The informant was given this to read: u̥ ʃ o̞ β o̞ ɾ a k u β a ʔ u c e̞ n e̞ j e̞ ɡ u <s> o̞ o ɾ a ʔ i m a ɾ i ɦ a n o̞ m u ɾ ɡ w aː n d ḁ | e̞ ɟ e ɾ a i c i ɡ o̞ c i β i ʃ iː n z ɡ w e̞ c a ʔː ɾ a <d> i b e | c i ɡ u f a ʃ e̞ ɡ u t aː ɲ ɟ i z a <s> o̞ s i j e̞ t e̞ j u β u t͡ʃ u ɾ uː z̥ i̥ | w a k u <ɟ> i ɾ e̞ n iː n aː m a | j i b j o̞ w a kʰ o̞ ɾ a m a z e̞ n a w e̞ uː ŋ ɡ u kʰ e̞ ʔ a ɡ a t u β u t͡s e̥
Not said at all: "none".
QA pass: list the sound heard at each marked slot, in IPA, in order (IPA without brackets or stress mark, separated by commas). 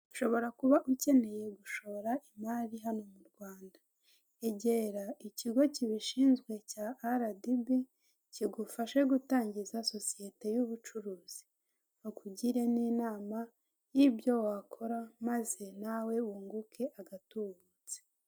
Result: ʃ, d, s, ɟ